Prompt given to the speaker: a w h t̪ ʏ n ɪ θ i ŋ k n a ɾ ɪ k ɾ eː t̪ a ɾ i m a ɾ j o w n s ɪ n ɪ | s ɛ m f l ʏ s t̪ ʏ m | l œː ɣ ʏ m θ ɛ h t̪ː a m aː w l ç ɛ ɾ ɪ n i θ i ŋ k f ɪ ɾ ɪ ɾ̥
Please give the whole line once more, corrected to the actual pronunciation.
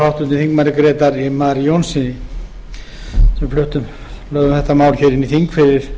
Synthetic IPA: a w h t̪ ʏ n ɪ θ i ŋ k m a ɾ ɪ k ɾ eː t̪ a ɾ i m a ɾ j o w n s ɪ n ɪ | s ɛ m f l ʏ h t̪ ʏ m | l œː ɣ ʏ m θ ɛ h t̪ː a m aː w l ç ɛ ɾ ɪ n i θ i ŋ k f ɪ ɾ ɪ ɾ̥